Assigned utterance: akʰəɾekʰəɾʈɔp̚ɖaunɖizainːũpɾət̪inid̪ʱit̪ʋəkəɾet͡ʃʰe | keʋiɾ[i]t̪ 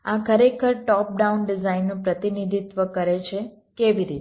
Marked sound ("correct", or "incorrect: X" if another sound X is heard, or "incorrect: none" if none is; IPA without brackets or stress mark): correct